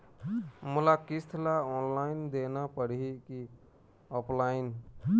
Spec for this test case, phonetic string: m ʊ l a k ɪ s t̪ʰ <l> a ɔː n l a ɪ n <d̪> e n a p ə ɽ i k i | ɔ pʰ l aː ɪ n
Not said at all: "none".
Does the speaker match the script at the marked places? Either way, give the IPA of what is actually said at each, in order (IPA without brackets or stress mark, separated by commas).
l, d̪